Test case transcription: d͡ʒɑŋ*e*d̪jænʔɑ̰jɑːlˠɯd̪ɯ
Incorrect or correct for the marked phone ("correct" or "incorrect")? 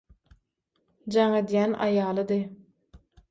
correct